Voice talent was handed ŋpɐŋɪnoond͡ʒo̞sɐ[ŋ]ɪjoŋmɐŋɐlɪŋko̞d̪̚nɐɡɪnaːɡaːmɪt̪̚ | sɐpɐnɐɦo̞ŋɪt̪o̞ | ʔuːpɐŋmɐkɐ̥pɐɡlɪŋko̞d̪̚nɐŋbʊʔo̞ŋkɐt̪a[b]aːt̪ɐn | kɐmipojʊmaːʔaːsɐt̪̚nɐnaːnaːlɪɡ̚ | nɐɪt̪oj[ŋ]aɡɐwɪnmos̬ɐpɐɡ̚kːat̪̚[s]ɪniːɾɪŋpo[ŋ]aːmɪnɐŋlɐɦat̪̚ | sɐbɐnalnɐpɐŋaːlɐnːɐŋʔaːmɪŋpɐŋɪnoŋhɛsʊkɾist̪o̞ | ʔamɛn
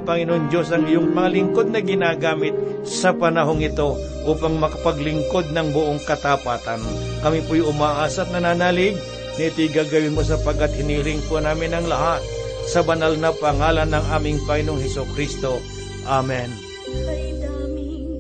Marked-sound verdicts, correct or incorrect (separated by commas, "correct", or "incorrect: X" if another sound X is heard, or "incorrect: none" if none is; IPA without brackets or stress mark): correct, incorrect: p, incorrect: ɡ, incorrect: h, incorrect: n